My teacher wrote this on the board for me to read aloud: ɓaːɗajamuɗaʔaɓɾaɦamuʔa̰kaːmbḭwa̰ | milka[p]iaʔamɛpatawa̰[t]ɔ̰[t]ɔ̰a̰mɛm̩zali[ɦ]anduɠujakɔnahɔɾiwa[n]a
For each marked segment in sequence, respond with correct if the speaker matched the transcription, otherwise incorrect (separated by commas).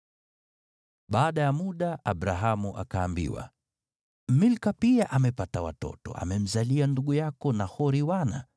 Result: correct, correct, correct, incorrect, correct